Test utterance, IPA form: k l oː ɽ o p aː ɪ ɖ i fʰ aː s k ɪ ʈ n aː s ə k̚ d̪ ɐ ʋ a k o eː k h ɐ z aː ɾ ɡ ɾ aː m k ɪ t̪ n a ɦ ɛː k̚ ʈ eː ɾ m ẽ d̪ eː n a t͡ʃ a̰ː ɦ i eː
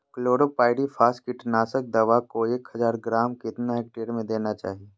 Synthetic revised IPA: k l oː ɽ o p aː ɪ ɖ i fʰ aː s k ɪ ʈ n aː s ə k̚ d̪ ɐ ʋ a k o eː k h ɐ z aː ɾ ɡ ɾ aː m k ɪ t̪ n a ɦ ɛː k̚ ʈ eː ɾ m ẽ d̪ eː n a t͡ʃ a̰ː ɦ i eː

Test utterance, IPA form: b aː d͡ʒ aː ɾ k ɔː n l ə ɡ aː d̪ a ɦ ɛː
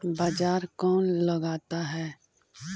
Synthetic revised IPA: b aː d͡ʒ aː ɾ k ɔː n l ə ɡ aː t̪ a ɦ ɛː

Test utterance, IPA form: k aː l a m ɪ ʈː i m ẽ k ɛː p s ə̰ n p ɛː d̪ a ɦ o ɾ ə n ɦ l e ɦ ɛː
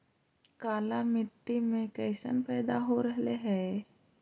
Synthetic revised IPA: k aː l a m ɪ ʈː i m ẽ k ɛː s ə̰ n p ɛː d̪ a ɦ o ɾ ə ɦ l e ɦ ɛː

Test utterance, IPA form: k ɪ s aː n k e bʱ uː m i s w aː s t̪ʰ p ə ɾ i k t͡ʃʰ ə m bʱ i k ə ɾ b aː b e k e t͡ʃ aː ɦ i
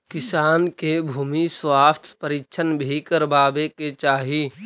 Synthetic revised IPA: k ɪ s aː n k e bʱ uː m i s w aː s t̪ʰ p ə ɾ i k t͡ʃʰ ə n bʱ i k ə ɾ b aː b e k e t͡ʃ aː ɦ i

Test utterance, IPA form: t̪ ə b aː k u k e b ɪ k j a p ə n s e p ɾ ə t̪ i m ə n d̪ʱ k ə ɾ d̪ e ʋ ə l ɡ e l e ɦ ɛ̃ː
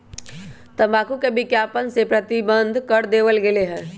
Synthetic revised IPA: t̪ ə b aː k u k e b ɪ k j a p ə n s e p ɾ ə t̪ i b ə n d̪ʱ k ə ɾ d̪ e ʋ ə l ɡ e l e ɦ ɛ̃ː

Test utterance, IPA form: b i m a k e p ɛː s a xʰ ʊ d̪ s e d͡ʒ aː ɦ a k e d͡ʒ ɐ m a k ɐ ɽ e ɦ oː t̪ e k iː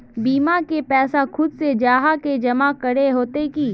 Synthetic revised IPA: b iː m a k e p ɛː s a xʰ ʊ d̪ s e d͡ʒ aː ɦ a k e d͡ʒ ɐ m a k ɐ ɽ e ɦ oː t̪ e k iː

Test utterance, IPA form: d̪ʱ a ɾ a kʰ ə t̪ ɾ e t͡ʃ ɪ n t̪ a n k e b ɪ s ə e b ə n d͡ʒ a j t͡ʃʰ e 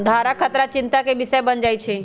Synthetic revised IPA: d̪ʱ a ɾ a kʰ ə t̪ ɾ a t͡ʃ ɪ n t̪ a k e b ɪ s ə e b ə n d͡ʒ a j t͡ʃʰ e

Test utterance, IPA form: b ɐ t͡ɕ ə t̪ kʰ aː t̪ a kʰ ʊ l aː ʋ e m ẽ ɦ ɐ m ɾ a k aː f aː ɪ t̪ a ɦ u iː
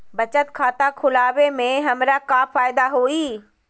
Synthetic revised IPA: b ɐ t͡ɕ ə t̪ kʰ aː t̪ a kʰ ʊ l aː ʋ e m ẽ ɦ ɐ m ɾ a k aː f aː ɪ d̪ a ɦ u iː

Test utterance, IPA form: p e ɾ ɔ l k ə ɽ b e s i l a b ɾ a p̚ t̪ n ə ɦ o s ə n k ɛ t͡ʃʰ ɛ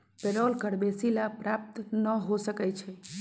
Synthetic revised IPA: p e ɾ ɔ l k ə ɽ b e s i l a p ɾ a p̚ t̪ n ə ɦ o s ə k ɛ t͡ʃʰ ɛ

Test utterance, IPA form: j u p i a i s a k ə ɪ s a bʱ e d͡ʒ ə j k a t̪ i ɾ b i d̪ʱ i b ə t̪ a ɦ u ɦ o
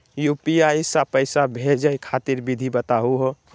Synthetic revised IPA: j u p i a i s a p ə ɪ s a bʱ e d͡ʒ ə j kʰ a t̪ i ɾ b i d̪ʱ i b ə t̪ a ɦ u ɦ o

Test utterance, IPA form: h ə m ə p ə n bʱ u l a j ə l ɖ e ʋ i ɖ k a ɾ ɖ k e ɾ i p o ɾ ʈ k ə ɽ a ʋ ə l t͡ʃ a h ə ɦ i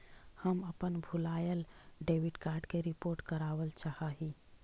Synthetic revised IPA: h ə m ə p ə n bʱ u l a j ə l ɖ e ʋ i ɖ k a ɾ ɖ k e ɾ i p o ɾ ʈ k ə ɾ a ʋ ə l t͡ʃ a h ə ɦ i

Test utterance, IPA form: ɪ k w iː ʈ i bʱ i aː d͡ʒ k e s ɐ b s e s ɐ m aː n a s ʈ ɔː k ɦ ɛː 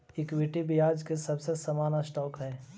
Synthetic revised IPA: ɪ k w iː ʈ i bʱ i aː d͡ʒ k e s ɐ b s e s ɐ m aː n a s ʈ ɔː k ɦ ɛː

